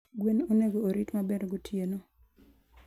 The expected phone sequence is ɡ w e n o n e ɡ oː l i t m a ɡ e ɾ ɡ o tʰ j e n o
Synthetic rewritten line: ɡ w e n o n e ɡ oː ɾ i t m a b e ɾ ɡ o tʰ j e n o